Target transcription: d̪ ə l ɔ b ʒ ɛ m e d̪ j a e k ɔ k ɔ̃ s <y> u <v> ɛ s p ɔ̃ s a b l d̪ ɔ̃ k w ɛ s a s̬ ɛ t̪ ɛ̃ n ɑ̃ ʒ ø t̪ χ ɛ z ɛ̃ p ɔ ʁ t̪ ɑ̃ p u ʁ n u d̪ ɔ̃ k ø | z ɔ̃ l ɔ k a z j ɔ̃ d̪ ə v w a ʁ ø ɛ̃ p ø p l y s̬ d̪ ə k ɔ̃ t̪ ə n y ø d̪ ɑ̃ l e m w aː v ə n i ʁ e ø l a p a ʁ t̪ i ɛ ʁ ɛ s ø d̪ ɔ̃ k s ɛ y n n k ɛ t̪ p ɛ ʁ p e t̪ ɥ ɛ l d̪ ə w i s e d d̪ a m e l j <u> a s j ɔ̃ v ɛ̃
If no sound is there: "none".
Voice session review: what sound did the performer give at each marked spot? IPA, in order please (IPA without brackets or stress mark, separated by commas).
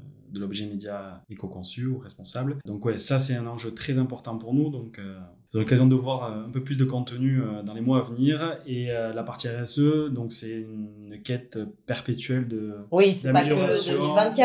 y, ʁ, ɔ